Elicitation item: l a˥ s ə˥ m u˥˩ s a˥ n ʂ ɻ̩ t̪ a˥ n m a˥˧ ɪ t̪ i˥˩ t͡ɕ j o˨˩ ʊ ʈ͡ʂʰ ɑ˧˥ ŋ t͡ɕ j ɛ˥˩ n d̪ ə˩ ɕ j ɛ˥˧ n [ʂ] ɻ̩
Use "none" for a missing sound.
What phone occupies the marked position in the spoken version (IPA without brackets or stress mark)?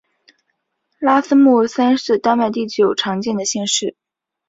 ʂ